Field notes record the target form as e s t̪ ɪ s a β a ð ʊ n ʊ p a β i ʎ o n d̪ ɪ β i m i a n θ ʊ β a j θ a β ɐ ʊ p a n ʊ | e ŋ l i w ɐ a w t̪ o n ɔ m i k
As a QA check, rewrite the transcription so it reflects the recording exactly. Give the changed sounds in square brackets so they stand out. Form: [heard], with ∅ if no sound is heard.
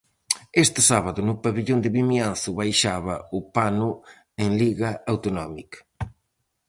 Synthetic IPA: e s t̪ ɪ s a β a ð ʊ n ʊ p a β i ʎ o n d̪ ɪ β i m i a n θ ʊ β a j [ʃ] a β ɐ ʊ p a n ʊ | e ŋ l i [ɣ] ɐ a w t̪ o n ɔ m i k